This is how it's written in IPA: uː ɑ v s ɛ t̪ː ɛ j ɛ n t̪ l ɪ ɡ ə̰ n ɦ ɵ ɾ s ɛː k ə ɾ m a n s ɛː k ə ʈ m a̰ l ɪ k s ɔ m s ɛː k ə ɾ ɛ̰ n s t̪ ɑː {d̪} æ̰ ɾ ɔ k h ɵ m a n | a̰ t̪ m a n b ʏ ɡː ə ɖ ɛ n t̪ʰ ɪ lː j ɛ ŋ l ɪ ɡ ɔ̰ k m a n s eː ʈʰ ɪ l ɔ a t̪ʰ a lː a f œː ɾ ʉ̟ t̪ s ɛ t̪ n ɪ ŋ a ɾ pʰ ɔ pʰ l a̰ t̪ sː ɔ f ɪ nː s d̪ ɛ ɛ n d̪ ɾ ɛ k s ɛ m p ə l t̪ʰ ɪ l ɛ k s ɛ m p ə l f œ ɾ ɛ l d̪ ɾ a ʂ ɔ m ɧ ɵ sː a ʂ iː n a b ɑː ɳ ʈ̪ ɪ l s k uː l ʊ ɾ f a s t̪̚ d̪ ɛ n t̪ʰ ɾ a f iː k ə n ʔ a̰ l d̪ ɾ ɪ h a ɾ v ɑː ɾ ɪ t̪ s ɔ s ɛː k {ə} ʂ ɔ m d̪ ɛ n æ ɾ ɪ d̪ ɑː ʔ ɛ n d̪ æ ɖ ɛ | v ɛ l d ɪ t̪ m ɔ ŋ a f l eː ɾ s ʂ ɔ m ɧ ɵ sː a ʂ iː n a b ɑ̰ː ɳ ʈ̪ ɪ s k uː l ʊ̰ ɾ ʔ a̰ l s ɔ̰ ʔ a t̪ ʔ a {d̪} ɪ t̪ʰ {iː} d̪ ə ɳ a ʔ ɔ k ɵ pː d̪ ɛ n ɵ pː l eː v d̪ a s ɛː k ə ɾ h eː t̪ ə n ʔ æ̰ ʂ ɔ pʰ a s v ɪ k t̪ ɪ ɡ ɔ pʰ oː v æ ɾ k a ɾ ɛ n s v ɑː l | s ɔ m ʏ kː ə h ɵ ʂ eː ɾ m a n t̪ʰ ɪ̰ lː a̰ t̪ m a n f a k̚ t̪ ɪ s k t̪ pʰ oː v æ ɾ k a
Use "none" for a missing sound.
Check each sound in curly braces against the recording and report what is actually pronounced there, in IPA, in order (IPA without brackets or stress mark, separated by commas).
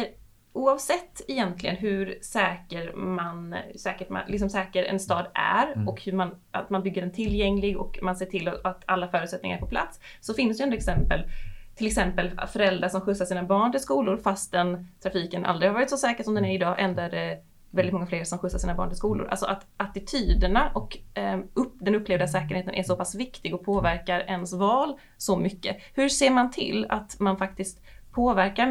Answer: d̪, ə, t̪, yː